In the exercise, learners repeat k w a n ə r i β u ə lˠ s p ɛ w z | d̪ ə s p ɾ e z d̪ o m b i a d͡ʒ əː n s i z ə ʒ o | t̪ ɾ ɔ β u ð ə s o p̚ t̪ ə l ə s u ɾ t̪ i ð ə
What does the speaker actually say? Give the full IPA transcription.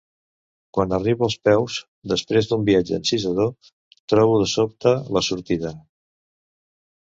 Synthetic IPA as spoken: k w a n ə r i β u ə lˠ s p ɛ w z | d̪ ə s p ɾ e z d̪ u m b i a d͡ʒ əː n s i z ə ð o | t̪ ɾ ɔ β u ð ə s o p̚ t̪ ə l ə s u ɾ t̪ i ð ə